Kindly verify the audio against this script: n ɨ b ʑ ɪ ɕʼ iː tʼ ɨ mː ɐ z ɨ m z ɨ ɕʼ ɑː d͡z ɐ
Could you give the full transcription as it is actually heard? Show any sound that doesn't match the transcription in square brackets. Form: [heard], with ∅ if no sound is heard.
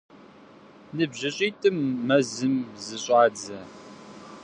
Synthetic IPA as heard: n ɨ b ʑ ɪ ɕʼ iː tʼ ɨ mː ɐ z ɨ m z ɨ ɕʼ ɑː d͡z ɐ